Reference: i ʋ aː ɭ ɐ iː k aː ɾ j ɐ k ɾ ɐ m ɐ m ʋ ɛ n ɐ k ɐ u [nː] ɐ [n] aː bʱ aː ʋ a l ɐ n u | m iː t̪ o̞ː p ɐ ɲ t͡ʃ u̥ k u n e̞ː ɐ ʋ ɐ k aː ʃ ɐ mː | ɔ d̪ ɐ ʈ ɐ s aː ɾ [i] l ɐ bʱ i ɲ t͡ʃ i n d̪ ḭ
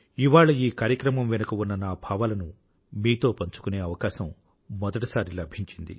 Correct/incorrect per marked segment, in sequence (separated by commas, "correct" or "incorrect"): correct, correct, correct